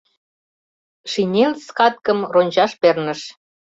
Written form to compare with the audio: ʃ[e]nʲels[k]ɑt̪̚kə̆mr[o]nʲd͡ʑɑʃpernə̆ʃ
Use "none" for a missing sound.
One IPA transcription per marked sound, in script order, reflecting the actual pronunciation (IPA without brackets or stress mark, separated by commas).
i, k, o